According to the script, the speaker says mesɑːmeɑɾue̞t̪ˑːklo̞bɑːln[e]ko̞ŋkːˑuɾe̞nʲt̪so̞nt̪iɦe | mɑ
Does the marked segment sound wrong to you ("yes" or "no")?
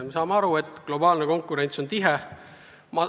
no